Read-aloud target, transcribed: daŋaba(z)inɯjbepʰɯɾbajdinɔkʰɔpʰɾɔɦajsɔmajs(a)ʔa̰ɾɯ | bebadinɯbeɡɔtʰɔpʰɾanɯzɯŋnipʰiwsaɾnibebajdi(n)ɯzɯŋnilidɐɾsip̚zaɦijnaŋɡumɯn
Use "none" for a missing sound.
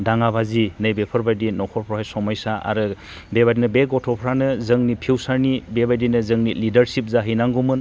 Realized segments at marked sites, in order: z, a, n

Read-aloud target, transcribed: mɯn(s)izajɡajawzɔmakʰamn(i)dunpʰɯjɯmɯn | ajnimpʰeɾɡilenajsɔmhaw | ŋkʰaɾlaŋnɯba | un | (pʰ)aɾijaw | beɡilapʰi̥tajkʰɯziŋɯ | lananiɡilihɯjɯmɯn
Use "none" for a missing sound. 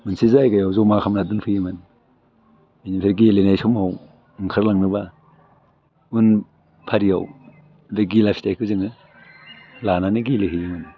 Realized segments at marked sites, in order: s, a, pʰ

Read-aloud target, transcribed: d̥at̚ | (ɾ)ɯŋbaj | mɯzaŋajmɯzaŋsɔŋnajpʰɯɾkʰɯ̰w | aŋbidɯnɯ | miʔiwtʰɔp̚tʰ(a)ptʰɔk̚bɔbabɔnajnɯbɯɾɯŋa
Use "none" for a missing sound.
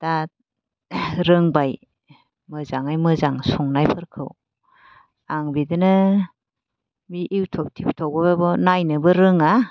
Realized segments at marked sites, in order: ɾ, i

